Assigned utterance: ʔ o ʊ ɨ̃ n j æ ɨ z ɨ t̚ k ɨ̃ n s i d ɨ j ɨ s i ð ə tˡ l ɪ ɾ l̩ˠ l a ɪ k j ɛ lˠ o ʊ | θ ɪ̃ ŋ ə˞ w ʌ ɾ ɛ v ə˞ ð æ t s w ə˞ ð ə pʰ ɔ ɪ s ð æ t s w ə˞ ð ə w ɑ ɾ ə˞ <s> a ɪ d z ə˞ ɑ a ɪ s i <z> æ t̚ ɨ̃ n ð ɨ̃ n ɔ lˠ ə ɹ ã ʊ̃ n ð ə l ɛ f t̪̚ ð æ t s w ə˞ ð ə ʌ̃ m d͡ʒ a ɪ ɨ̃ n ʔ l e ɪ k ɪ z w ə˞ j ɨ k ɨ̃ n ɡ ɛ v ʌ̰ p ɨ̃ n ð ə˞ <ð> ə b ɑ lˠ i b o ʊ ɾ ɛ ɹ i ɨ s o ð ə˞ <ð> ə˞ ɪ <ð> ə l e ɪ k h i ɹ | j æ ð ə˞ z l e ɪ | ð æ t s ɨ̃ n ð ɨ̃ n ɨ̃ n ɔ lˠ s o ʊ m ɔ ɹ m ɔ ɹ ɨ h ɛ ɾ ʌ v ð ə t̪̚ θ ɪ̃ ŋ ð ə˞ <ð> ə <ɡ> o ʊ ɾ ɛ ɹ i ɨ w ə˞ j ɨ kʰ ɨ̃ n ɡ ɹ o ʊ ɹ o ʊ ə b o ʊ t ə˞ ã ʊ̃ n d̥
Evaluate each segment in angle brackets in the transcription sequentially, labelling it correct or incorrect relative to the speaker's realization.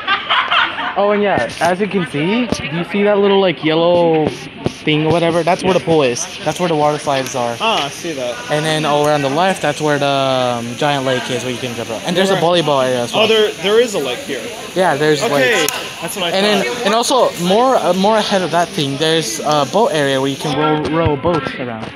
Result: correct, incorrect: ð, incorrect: z, correct, incorrect: z, incorrect: z, incorrect: b

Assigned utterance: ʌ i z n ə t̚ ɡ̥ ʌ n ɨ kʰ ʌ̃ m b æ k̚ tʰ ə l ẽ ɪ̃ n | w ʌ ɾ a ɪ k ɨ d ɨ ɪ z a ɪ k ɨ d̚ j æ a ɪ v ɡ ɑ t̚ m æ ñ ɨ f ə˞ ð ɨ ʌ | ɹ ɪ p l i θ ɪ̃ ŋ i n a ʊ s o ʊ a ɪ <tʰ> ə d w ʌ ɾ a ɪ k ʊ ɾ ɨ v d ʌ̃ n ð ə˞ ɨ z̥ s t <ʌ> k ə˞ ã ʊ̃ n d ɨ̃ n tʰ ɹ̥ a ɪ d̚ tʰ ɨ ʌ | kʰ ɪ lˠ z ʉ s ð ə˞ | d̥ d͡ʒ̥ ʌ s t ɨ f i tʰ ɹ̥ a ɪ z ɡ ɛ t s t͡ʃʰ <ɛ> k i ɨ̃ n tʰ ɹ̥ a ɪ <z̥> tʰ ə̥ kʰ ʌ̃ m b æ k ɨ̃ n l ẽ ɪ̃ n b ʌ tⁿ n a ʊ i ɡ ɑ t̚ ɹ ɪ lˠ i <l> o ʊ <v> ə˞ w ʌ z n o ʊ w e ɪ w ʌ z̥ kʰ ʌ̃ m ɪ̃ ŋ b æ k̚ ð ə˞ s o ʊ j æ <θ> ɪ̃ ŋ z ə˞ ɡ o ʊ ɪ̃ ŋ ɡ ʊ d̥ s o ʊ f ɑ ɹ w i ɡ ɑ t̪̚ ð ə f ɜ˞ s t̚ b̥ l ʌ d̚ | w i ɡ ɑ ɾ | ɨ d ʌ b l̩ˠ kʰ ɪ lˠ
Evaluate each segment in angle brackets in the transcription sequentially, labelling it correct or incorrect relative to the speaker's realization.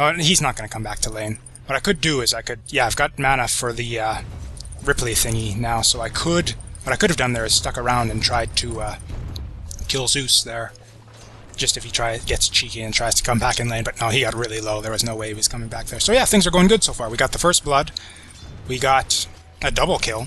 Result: incorrect: kʰ, correct, incorrect: i, correct, correct, incorrect: ð, correct

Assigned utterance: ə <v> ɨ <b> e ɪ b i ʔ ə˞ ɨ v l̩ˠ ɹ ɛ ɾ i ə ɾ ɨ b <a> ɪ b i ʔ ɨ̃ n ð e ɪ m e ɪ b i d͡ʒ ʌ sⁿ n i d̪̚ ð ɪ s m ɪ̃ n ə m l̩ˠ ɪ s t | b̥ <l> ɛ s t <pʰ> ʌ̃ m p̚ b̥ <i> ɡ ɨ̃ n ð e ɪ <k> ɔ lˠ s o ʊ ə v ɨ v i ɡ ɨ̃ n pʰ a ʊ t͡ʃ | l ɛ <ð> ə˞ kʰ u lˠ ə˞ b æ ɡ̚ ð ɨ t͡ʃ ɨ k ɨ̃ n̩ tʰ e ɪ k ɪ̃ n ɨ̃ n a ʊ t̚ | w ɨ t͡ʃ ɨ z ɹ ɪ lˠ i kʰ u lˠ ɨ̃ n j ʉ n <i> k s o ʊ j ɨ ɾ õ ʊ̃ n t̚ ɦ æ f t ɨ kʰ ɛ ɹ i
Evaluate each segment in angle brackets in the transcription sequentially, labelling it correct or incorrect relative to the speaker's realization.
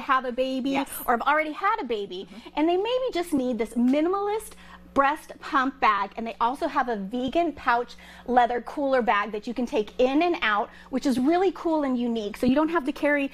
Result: correct, correct, incorrect: e, incorrect: ɹ, correct, incorrect: æ, incorrect: ʔ, correct, correct

